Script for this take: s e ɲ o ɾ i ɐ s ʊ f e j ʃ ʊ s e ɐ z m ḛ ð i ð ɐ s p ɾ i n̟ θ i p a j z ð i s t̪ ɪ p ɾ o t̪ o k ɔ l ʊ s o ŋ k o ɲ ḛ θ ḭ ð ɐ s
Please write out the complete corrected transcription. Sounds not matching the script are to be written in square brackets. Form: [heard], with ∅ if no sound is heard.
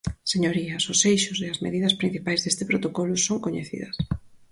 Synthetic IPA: s e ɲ o ɾ i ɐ s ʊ [s] e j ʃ ʊ s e ɐ z m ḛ ð i ð ɐ s p ɾ i n̟ θ i p a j z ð [e] s t̪ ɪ p ɾ o t̪ o k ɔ l ʊ s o ŋ k o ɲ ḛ θ ḭ ð ɐ s